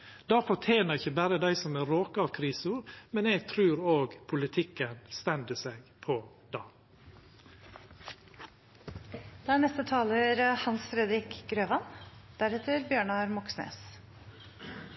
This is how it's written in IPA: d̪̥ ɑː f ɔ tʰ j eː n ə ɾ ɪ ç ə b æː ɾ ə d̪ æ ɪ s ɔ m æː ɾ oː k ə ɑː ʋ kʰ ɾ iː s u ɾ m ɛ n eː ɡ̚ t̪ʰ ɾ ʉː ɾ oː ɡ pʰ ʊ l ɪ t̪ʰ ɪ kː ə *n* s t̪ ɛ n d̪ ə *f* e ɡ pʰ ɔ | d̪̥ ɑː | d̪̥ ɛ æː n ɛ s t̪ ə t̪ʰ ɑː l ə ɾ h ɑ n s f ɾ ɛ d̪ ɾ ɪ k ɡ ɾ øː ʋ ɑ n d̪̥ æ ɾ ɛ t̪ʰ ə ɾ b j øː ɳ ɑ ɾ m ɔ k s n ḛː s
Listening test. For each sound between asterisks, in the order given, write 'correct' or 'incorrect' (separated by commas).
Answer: correct, incorrect